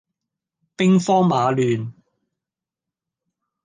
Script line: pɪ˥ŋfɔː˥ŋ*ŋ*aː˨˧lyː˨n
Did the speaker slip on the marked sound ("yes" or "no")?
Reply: yes